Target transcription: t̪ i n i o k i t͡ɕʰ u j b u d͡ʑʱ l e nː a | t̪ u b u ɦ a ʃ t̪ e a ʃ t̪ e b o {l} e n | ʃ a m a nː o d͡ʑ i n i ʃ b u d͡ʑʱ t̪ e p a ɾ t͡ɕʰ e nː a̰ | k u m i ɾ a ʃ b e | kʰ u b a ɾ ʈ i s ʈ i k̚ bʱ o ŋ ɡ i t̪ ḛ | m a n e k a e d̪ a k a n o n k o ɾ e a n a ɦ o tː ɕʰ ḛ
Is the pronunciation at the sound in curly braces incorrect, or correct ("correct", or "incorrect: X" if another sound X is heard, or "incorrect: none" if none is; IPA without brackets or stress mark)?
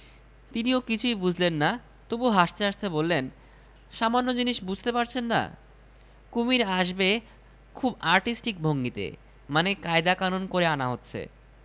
incorrect: lː